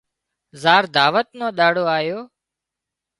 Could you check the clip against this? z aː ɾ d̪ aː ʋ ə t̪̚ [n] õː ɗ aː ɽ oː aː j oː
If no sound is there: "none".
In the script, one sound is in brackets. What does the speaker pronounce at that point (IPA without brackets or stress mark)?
n